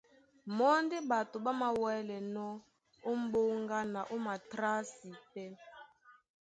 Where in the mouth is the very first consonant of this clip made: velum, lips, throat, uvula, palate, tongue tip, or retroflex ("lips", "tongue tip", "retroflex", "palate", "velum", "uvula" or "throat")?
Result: lips